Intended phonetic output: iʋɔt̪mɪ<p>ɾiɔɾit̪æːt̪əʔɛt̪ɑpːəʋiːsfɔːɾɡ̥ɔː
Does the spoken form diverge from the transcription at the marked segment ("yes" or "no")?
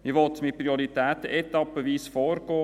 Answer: no